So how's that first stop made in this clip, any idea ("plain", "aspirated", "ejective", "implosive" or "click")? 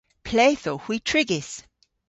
aspirated